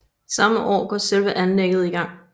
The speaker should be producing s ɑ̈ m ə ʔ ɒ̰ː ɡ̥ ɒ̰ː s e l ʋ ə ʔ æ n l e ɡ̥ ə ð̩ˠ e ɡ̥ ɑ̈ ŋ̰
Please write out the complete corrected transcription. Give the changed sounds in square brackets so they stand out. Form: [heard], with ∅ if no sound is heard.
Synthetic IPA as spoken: s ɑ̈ m ə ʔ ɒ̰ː ɡ̥ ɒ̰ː s e l ʋ ə ʔ æ n l e ɡ̥ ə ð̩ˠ [i] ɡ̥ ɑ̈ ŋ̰